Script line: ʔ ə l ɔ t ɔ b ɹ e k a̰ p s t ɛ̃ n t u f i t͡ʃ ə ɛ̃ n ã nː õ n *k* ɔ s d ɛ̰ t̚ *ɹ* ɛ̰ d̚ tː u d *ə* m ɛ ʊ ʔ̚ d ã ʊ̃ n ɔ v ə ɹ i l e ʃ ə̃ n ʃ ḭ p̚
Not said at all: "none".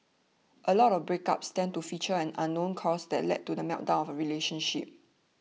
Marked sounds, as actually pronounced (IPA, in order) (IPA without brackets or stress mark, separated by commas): kʰ, l, ə